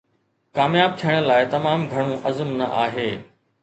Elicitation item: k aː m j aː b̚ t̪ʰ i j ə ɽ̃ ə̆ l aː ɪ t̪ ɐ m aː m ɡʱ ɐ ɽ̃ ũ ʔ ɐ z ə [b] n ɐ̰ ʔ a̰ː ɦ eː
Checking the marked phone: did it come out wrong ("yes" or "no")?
yes